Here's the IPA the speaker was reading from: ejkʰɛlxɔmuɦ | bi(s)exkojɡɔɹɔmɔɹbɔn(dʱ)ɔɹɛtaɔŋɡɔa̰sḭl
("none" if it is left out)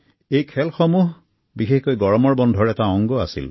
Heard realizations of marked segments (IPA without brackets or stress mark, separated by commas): x, dʱ